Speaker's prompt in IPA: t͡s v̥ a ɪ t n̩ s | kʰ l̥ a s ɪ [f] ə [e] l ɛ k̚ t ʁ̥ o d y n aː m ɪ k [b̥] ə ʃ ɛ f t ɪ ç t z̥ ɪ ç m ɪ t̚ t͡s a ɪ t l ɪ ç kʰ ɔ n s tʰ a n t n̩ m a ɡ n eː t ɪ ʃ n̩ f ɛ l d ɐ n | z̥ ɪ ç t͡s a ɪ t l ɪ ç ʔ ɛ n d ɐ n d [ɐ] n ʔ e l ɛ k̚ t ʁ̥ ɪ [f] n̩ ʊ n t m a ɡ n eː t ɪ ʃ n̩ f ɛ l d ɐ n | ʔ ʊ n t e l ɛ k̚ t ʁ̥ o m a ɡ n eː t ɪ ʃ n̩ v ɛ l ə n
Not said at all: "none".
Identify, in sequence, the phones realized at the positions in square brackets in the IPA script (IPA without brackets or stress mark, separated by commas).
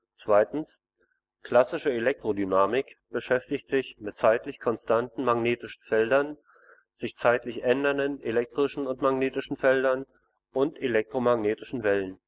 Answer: ʃ, e, b̥, ə, ʃ